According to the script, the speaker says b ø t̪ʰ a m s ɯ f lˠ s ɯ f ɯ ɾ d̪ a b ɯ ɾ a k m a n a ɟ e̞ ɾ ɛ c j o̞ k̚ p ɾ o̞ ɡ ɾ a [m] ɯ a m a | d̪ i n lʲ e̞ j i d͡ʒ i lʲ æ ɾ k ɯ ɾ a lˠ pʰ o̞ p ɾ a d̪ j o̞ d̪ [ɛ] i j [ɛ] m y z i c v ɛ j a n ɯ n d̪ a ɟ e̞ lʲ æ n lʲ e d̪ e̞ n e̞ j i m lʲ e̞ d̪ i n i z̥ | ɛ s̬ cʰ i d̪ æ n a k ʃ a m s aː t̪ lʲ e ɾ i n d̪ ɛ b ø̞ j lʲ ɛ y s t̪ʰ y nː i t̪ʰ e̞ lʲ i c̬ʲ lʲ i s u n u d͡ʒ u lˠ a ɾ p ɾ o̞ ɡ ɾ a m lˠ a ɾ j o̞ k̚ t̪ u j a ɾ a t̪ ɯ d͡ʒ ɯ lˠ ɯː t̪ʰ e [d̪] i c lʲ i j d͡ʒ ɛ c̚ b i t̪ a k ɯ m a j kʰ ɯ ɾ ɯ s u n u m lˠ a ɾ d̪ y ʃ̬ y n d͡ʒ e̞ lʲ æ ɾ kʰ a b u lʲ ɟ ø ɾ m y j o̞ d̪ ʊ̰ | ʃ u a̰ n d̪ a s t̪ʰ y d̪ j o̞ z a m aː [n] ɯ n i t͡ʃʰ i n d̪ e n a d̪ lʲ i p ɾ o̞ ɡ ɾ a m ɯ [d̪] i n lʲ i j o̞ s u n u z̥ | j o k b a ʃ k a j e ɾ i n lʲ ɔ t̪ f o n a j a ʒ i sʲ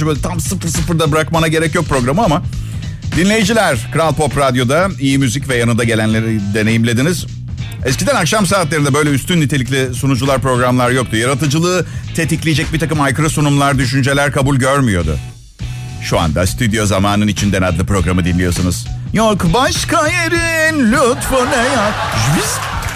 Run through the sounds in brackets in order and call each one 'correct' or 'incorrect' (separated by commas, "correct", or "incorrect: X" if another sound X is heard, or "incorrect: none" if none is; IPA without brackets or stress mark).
correct, incorrect: a, incorrect: i, incorrect: t̪, correct, correct